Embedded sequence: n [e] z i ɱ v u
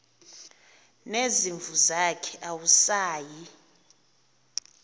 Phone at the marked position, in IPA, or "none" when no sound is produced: e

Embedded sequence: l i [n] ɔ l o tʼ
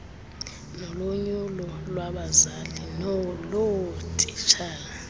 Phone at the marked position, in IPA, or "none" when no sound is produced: n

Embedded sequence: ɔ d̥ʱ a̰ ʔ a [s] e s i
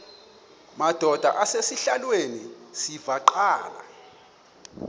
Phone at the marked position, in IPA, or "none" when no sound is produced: s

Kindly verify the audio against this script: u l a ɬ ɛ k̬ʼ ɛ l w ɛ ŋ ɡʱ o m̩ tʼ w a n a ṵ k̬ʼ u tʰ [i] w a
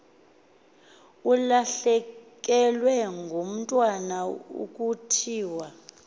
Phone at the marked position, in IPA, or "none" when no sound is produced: iː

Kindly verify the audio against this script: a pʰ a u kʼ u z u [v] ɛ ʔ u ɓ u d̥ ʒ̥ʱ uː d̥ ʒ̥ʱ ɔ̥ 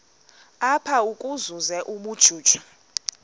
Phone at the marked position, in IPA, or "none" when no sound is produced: z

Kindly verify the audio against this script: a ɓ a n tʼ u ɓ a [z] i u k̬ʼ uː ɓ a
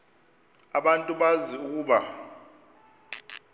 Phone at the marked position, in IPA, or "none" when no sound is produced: z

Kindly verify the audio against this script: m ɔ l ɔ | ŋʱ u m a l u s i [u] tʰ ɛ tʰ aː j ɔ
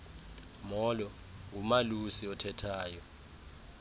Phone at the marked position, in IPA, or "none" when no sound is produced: ɔ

